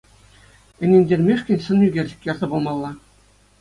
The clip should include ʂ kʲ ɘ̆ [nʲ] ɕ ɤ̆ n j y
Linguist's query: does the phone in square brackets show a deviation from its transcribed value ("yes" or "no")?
no